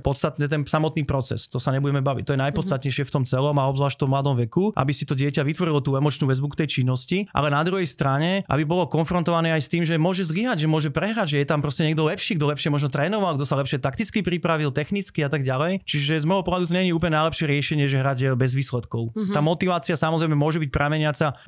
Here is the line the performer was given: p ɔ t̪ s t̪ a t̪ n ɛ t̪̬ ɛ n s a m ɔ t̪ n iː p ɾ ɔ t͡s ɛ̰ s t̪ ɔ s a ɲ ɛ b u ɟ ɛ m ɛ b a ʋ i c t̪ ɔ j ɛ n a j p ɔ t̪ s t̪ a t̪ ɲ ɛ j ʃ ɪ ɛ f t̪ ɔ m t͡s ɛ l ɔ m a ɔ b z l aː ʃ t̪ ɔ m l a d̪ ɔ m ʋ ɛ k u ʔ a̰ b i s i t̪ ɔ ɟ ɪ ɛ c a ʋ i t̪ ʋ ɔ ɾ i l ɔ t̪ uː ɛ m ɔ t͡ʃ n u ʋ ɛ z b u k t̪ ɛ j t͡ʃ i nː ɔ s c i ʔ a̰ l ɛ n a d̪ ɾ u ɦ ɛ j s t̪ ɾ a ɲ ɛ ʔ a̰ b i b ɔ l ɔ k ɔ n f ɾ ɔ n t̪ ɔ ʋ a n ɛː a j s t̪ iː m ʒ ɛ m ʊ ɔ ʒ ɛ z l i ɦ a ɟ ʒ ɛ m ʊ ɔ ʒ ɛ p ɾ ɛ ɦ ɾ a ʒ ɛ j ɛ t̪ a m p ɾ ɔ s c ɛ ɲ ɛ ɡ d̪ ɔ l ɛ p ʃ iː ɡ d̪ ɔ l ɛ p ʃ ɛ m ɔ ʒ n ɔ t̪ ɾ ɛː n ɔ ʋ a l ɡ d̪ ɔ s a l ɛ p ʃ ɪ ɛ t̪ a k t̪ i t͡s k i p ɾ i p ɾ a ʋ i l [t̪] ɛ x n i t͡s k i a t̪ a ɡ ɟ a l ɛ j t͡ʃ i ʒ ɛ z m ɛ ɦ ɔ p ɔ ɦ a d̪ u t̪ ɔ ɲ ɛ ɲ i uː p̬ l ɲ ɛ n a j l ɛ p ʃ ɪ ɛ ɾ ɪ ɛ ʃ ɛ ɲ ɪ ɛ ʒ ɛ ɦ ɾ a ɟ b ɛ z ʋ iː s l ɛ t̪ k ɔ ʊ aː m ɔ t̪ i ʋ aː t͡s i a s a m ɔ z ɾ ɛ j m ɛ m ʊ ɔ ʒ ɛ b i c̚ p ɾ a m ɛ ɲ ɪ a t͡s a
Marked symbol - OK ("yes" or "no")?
yes